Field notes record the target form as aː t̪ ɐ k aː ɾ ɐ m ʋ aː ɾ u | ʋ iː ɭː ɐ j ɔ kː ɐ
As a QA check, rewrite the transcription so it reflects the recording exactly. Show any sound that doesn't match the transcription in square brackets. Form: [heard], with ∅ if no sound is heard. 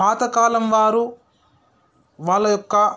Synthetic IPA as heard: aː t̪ ɐ k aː [l] ɐ m ʋ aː ɾ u | ʋ [aː] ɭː ɐ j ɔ kː ɐ